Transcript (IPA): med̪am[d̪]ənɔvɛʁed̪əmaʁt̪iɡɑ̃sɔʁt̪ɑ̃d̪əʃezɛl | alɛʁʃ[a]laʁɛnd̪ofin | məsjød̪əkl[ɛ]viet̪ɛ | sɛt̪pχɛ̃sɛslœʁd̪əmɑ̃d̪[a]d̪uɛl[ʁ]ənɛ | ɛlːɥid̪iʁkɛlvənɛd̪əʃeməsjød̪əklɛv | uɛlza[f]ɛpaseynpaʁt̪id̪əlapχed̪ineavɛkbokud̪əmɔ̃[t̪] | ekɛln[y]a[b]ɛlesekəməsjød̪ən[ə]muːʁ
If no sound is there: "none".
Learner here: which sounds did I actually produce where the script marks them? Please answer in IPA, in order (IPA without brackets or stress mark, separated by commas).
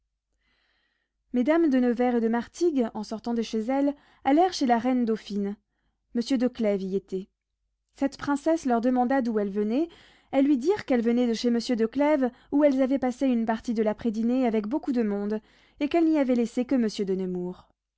d̪, e, ɛ, a, v, v, d̪, i, v, ə